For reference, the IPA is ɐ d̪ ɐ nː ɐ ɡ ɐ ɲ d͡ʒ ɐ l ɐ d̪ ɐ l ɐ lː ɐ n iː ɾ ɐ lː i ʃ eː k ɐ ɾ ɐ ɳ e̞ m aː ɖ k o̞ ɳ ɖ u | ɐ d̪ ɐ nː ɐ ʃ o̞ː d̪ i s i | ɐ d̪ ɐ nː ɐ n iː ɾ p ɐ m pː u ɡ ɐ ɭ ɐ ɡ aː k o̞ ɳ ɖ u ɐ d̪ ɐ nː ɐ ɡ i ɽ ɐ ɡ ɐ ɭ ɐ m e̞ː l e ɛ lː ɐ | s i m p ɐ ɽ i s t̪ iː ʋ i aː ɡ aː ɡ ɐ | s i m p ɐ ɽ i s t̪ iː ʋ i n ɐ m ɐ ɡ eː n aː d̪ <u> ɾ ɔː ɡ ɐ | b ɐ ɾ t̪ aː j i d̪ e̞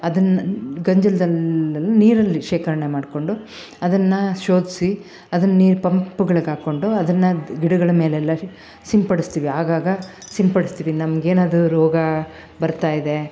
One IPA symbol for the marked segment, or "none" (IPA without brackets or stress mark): u